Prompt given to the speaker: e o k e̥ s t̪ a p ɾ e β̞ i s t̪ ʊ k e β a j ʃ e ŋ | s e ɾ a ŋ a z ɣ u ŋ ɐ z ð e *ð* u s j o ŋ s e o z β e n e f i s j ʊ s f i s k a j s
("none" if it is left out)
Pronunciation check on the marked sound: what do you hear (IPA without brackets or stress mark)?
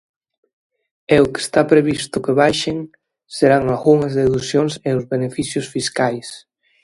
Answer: ð